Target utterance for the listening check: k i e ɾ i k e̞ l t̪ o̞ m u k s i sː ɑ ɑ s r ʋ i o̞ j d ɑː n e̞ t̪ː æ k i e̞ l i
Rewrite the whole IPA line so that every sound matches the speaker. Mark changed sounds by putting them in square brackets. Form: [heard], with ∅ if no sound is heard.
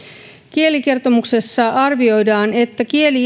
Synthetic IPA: k i e [l] i k e̞ [r] t̪ o̞ m u k s [e] sː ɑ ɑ [∅] r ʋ i o̞ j d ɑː n e̞ t̪ː æ k i e̞ l i